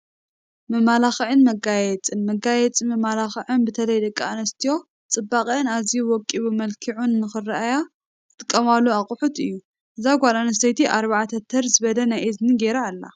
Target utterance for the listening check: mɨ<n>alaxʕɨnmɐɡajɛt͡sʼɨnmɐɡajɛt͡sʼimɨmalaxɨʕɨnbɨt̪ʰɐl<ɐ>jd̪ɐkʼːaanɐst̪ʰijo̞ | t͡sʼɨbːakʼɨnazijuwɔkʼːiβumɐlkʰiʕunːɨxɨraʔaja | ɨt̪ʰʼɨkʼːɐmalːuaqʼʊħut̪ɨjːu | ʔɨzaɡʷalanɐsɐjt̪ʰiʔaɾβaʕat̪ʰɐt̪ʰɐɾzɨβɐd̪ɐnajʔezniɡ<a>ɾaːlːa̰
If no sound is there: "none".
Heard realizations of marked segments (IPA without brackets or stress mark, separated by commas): m, ɐ, e